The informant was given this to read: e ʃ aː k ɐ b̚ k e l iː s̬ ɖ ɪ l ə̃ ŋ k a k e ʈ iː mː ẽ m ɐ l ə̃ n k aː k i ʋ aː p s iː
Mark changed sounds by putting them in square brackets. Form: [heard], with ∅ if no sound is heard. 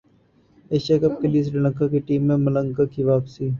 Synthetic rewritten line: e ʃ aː k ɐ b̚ k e l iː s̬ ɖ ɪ l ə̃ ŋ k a k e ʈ iː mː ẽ m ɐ l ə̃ [ŋ] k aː k i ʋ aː p s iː